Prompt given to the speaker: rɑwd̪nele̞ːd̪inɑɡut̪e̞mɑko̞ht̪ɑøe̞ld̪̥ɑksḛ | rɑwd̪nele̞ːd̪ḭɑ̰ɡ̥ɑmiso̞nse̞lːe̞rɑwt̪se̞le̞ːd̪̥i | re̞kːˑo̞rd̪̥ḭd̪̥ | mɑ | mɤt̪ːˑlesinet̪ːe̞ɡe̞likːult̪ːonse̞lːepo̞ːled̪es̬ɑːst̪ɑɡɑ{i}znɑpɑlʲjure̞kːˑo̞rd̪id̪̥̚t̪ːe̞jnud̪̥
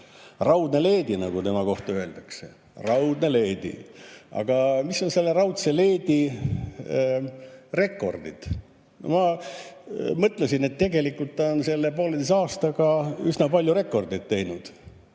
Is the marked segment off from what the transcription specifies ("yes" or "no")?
yes